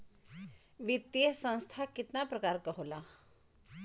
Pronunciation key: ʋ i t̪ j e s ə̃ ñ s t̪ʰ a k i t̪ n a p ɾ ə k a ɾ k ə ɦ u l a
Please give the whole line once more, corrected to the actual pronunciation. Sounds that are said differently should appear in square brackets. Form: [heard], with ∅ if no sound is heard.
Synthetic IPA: ʋ i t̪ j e s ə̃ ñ s t̪ʰ a k i t̪ n a p ɾ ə k a ɾ k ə ɦ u l a